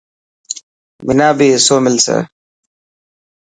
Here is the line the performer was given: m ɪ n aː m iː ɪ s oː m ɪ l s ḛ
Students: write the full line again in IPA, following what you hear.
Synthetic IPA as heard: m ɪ n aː b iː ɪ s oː m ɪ l s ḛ